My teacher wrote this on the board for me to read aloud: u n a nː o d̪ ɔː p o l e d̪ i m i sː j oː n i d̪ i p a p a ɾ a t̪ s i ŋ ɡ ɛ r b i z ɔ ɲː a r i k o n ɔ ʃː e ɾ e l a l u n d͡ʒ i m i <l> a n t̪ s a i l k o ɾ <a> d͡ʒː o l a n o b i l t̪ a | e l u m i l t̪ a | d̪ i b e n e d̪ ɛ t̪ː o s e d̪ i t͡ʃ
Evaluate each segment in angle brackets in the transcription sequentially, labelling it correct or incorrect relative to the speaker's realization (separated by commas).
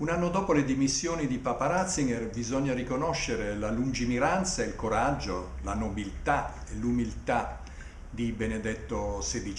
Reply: incorrect, correct